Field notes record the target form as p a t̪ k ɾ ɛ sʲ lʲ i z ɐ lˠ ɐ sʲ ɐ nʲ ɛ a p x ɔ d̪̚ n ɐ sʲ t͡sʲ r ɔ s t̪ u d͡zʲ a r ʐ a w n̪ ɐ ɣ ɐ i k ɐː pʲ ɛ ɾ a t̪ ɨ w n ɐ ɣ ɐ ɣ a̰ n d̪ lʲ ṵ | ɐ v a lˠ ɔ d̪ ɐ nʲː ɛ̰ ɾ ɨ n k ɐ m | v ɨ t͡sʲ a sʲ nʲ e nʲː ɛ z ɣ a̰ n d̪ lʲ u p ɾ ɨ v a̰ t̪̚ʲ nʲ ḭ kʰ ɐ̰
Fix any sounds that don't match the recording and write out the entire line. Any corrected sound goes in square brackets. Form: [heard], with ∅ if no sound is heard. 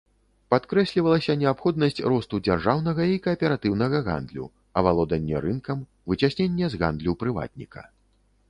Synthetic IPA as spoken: p a t̪ k ɾ ɛ sʲ lʲ i [v] ɐ lˠ ɐ sʲ ɐ nʲ ɛ a p x ɔ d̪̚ n ɐ sʲ t͡sʲ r ɔ s t̪ u d͡zʲ a r ʐ a w n̪ ɐ ɣ ɐ i k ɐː pʲ ɛ ɾ a t̪ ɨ w n ɐ ɣ ɐ ɣ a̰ n d̪ lʲ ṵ | ɐ v a lˠ ɔ d̪ ɐ nʲː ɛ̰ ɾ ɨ n k ɐ m | v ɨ t͡sʲ a sʲ nʲ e nʲː ɛ z ɣ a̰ n d̪ lʲ u p ɾ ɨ v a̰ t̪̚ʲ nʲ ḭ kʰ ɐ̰